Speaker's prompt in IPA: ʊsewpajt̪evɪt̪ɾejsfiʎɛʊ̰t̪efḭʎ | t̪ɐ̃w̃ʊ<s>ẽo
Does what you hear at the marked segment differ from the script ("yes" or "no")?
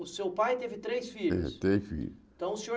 no